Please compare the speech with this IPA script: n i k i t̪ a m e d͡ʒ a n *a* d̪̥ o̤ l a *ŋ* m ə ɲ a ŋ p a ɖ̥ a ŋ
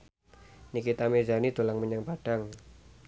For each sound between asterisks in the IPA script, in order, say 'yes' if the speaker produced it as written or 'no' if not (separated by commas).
no, yes